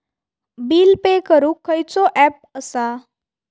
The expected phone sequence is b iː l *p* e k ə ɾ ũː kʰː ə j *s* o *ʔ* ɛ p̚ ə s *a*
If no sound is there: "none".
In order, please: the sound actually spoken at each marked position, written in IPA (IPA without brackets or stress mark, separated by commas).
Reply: p, t͡s, ʔ, a